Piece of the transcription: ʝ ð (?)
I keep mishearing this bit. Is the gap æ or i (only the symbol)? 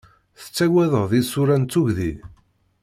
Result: i